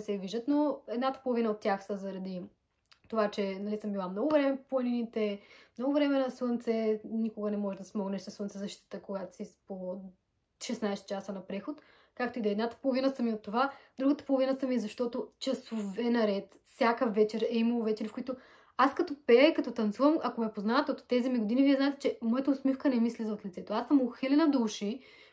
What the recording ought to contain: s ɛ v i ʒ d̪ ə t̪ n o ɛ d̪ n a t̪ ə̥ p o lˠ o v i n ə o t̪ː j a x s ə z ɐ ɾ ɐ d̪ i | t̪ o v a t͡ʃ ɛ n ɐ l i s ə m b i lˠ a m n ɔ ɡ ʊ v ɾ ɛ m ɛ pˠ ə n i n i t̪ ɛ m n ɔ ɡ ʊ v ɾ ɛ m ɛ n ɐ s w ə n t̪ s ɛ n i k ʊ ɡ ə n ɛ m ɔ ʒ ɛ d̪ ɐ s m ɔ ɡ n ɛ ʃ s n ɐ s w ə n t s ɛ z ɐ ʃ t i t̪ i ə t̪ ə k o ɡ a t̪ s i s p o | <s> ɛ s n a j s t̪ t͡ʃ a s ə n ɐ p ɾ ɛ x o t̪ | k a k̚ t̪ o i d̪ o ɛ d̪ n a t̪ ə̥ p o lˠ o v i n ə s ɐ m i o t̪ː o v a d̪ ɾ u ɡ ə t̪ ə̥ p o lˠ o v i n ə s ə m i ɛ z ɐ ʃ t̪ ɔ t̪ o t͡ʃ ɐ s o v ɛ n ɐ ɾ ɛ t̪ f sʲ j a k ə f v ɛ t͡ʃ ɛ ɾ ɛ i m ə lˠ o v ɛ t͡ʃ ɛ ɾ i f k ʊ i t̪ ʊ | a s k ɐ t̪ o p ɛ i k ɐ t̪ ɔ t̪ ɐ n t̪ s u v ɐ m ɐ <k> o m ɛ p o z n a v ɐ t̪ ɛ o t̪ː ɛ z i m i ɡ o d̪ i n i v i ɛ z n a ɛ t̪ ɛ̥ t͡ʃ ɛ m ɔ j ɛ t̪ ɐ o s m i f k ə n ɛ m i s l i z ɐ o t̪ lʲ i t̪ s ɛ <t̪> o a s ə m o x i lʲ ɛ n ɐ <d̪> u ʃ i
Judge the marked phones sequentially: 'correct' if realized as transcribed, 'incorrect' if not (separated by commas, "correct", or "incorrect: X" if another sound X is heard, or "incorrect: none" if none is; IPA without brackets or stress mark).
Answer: incorrect: ʃ, correct, correct, correct